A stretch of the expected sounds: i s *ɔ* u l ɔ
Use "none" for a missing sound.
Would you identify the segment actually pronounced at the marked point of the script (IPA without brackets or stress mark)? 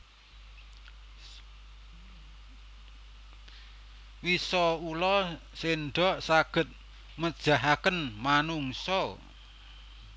ɔ